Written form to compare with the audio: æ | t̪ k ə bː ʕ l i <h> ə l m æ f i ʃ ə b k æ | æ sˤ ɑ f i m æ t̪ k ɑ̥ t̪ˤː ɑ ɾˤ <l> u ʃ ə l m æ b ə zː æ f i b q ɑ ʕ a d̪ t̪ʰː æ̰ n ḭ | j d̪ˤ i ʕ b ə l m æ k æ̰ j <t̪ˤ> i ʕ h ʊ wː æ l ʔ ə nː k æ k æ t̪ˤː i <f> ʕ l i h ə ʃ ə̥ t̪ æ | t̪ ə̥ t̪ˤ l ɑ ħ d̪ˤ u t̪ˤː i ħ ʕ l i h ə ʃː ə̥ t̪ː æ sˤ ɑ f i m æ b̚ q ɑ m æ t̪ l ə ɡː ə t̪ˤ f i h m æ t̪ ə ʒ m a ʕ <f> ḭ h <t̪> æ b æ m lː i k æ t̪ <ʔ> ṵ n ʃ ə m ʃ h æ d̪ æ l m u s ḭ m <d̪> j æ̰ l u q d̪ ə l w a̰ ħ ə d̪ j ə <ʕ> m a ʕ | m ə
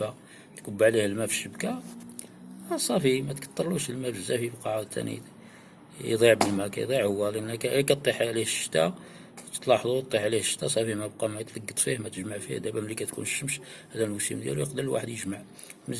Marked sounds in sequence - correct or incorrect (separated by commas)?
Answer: correct, correct, incorrect, incorrect, correct, incorrect, incorrect, correct, incorrect